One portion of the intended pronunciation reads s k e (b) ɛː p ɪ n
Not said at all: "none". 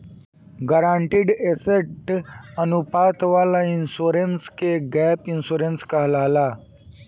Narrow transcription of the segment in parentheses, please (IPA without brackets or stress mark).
ɡ